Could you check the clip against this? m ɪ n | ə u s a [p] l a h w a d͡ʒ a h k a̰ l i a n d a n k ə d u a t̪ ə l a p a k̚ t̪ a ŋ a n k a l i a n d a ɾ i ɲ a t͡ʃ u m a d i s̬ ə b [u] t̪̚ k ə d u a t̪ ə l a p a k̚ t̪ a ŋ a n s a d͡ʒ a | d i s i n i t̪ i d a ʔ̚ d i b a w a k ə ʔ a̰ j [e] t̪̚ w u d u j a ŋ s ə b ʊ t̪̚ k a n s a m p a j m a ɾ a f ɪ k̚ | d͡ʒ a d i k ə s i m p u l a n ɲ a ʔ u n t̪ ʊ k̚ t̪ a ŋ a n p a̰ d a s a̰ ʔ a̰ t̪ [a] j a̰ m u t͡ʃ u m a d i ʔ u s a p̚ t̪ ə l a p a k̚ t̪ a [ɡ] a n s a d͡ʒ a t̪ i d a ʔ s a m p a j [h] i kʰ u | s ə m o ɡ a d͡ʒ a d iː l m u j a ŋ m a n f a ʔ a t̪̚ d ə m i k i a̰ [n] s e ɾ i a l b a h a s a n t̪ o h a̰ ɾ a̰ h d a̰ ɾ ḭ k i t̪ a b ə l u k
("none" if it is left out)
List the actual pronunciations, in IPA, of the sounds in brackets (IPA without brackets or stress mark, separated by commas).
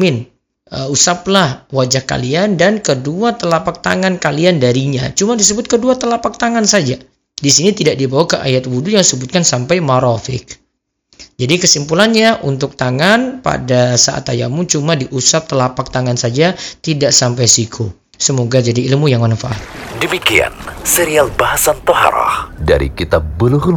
p, ʊ, a, a, ŋ, s, n